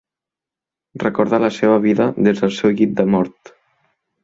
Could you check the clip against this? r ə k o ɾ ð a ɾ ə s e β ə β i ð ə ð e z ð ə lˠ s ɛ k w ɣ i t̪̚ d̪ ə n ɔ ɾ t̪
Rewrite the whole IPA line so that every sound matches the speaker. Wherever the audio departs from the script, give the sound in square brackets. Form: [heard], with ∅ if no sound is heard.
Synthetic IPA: r ə k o ɾ ð a [l] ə s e β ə β i ð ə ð e z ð ə lˠ s ɛ [∅] w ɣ i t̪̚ d̪ ə [m] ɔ ɾ t̪